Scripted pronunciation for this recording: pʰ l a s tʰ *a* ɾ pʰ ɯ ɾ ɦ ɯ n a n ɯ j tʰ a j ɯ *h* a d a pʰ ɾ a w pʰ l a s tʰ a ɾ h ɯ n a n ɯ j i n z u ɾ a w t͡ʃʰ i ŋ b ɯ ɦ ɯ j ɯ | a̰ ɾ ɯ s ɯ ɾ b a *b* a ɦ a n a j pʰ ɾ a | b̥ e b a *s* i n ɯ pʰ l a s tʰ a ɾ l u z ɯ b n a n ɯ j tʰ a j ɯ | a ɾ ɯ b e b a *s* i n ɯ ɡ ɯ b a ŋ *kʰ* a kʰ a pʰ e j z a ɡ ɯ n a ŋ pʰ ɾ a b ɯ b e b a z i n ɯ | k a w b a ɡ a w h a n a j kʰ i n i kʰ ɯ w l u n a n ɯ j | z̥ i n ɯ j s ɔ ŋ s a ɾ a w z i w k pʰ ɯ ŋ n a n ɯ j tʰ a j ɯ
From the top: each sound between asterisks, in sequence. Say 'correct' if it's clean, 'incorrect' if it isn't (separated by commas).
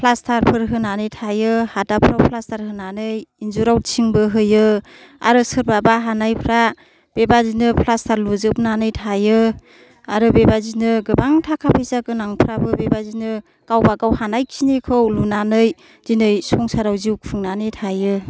correct, correct, correct, incorrect, incorrect, incorrect